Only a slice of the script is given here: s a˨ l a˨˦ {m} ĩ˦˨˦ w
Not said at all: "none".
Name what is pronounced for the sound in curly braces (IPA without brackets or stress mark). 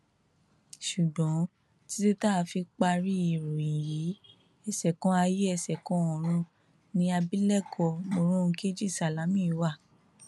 m